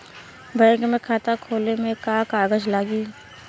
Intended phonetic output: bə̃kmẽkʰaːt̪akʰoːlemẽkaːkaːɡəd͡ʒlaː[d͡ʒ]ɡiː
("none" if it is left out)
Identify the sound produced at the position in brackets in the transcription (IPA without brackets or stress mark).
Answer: none